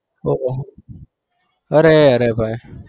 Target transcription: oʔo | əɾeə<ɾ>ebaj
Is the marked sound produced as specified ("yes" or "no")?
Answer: yes